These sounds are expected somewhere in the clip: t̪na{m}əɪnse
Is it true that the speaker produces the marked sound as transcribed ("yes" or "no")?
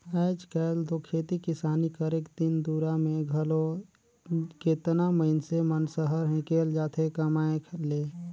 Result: yes